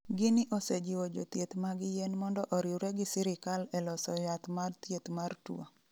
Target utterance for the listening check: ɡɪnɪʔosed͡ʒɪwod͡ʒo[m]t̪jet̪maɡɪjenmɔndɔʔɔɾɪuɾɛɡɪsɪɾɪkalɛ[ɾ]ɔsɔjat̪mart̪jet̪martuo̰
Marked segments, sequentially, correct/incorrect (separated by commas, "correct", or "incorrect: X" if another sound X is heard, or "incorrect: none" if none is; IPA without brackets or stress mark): incorrect: none, incorrect: l